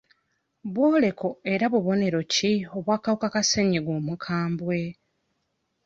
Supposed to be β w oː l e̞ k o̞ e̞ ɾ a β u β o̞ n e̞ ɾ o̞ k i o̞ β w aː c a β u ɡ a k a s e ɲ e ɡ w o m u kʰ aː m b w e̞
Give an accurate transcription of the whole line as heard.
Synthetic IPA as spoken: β w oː l e̞ k o̞ e̞ ɾ a β u β o̞ n e̞ ɾ o̞ c i o̞ β w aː k a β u k a k a s e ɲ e ɡ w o m u kʰ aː m b w e̞